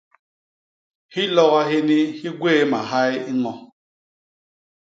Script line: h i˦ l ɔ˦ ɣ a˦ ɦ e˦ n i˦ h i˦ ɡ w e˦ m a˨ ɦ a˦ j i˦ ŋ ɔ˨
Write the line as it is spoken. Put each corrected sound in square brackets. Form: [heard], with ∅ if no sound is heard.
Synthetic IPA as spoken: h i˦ l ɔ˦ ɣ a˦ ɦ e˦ n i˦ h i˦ ɡ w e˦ m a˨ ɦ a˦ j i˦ ŋ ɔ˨